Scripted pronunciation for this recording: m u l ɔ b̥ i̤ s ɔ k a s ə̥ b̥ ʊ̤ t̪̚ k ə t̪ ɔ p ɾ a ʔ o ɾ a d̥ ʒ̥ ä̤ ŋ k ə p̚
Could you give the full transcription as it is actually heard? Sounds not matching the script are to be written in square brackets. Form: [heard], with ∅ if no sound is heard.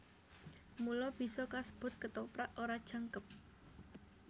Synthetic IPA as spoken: m u l ɔ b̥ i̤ s ɔ k a s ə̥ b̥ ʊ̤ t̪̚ k ə t̪ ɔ p ɾ a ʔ o ɾ a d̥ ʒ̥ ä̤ ŋ k ə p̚